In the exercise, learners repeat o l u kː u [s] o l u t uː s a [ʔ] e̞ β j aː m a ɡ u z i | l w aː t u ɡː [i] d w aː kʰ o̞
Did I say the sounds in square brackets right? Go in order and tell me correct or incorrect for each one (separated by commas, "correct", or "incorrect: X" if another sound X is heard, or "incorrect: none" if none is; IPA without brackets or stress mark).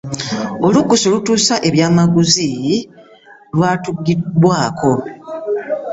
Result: correct, correct, correct